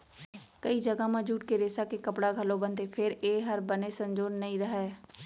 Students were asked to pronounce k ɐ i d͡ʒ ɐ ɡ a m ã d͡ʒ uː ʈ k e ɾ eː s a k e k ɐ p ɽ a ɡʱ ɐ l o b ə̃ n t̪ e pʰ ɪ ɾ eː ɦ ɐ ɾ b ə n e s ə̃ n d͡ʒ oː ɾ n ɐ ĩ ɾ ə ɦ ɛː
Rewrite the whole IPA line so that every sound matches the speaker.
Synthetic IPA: k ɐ i d͡ʒ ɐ ɡ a m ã d͡ʒ uː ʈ k e ɾ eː s a k e k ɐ p ɽ a ɡʱ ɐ l o b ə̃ n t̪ e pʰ ɪ ɾ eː ɦ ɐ ɾ b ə n e s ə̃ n d͡ʒ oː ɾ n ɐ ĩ ɾ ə ɦ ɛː